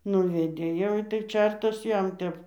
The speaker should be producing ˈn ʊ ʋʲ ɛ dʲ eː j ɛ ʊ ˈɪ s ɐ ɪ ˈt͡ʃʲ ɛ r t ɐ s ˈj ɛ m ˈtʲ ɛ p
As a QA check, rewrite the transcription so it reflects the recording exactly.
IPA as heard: ˈn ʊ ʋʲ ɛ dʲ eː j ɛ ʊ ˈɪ t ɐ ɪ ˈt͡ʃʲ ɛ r t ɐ s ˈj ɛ m ˈtʲ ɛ p